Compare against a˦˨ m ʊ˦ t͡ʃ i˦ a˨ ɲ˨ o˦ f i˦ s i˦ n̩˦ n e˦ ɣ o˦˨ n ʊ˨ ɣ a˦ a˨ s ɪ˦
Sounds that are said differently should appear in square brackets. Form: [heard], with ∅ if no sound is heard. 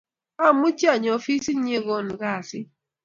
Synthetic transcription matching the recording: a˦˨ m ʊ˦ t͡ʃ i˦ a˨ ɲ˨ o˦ f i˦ s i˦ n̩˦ [ɲ] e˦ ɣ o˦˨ n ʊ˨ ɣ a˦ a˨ s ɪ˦